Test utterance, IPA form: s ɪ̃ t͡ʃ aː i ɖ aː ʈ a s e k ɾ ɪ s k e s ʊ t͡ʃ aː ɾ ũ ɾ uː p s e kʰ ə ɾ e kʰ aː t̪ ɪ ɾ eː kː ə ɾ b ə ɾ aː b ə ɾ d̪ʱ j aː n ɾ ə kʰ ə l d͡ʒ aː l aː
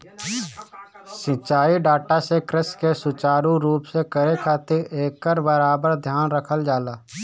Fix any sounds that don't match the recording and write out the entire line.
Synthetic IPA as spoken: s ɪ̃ t͡ʃ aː i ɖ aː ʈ a s e k ɾ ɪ s k e s ʊ t͡ʃ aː ɾ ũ ɾ uː p s e k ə ɾ e kʰ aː t̪ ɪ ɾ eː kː ə ɾ b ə ɾ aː b ə ɾ d̪ʱ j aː n ɾ ə kʰ ə l d͡ʒ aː l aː